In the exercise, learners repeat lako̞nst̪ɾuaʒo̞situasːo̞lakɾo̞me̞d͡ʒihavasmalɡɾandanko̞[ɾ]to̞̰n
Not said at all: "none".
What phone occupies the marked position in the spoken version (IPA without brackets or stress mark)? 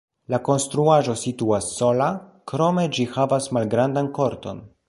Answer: ɾ